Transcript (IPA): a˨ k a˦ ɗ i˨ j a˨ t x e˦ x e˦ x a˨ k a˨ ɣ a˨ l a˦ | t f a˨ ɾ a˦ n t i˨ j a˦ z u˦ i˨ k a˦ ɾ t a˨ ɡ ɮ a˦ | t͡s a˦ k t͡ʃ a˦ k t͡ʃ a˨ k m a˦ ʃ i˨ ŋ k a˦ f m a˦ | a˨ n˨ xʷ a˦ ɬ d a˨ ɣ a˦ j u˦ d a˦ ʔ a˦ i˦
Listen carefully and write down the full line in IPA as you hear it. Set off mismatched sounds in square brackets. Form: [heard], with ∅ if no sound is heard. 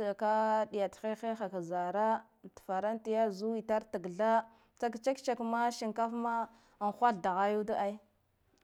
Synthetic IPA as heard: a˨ k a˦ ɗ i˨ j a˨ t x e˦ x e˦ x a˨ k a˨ [z] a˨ [ɾ] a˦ | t f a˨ ɾ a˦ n t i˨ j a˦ z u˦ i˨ [t] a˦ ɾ t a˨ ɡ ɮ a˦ | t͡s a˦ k t͡ʃ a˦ k t͡ʃ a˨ k m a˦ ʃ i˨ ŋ k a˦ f m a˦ | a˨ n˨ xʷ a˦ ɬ d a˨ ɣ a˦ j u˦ d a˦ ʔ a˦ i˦